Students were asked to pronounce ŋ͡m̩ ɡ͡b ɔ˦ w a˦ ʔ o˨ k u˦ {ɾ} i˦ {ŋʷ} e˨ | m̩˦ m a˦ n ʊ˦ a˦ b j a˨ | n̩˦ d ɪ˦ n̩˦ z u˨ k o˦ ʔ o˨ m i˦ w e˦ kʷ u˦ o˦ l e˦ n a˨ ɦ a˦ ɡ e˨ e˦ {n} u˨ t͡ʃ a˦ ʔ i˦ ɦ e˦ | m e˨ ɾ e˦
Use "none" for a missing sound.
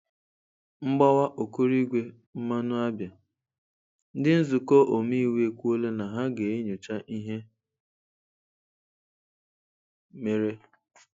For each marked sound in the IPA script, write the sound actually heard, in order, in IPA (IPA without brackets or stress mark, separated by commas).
ɾ, ɡʷ, ɲ